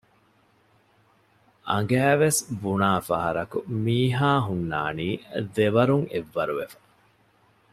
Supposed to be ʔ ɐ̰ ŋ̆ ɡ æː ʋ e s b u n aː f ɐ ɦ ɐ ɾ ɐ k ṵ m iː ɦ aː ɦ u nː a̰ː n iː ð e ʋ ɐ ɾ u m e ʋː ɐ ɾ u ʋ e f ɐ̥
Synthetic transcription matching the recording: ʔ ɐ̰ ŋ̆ ɡ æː ʋ e s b u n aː f ɐ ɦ ɐ ɾ ɐ k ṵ m iː ɦ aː ɦ u nː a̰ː n iː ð e ʋ ɐ ɾ u ŋ e ʋː ɐ ɾ u ʋ e f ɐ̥